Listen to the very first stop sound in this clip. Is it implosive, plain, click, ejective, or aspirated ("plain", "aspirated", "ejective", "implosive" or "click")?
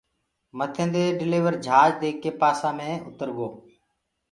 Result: aspirated